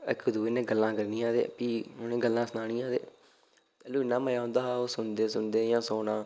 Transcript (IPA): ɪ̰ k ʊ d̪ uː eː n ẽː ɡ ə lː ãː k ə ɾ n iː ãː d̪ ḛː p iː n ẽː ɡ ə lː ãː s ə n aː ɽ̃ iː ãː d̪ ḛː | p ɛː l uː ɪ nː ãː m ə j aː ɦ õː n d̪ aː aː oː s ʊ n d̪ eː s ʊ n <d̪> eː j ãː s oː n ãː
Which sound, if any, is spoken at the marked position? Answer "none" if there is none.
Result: d̪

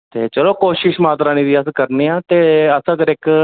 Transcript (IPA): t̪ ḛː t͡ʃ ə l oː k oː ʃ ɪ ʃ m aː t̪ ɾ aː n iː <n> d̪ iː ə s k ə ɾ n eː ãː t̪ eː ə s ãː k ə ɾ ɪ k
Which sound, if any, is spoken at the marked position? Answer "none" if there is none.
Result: none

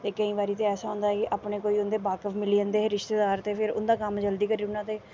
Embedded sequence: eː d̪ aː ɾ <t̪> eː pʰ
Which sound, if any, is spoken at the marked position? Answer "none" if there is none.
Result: t̪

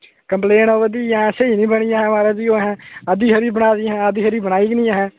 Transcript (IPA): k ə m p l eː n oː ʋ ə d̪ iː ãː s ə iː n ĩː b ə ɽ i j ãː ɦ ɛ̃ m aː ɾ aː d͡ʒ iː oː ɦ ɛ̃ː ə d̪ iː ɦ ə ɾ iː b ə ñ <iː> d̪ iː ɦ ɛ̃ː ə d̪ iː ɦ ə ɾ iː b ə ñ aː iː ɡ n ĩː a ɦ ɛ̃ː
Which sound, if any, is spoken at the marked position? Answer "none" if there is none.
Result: aː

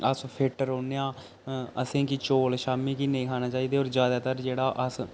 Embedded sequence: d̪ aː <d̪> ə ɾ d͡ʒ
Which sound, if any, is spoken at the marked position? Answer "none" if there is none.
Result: t̪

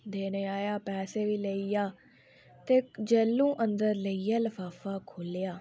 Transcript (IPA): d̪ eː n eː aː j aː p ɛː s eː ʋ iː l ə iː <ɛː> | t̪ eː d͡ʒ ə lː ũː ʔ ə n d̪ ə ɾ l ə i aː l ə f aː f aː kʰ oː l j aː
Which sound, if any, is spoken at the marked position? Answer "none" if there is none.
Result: aː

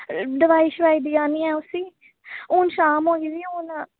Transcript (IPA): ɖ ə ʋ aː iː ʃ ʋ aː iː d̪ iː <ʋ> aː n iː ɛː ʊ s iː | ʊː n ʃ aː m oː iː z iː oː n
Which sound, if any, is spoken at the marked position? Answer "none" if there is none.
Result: none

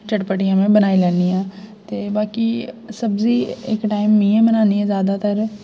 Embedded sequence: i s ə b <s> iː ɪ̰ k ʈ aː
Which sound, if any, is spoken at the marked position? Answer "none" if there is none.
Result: z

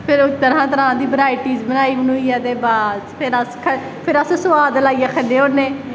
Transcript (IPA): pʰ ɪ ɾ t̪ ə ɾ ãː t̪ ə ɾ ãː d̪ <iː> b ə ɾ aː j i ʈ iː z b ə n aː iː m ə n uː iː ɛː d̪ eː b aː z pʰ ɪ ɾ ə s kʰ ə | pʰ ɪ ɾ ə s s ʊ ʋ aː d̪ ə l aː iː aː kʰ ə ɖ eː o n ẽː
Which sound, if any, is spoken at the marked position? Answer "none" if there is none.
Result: iː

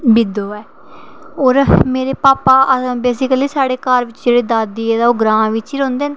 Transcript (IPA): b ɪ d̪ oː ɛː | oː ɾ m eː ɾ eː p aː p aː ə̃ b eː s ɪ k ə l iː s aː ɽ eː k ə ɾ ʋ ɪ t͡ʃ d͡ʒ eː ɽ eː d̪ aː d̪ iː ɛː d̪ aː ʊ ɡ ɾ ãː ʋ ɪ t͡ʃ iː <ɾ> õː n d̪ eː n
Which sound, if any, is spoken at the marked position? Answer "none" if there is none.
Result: ɾ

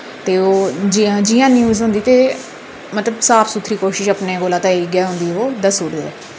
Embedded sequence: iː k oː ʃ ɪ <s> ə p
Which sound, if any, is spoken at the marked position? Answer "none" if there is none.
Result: ʃ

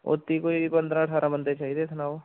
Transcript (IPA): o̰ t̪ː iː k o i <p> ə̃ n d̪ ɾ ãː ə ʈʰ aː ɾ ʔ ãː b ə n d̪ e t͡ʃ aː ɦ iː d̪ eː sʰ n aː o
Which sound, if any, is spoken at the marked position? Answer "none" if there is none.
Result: p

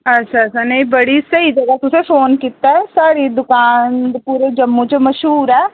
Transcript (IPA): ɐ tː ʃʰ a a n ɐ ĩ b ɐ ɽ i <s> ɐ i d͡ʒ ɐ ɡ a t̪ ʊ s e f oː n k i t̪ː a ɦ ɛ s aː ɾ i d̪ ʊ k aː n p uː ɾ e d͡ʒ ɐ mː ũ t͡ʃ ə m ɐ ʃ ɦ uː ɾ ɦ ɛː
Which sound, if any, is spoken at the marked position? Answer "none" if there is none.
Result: s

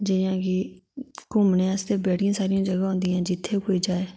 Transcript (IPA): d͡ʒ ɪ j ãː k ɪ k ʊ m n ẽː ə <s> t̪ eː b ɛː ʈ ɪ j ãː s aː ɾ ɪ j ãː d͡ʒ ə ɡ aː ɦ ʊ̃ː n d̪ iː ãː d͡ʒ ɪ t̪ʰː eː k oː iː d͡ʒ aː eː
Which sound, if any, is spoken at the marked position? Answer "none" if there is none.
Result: s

